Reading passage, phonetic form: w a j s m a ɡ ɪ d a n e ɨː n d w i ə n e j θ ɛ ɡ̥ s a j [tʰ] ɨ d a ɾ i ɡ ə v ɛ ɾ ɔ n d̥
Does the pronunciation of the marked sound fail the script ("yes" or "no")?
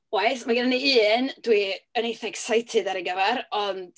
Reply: no